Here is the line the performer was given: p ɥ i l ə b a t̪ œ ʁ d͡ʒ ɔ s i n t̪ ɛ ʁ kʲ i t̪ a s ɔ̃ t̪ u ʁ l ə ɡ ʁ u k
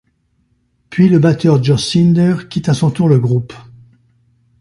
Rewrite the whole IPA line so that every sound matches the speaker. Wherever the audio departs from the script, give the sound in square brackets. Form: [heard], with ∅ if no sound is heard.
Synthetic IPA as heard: p ɥ i l ə b a t̪ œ ʁ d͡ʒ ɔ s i n [d̪] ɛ ʁ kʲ i t̪ a s ɔ̃ t̪ u ʁ l ə ɡ ʁ u [p]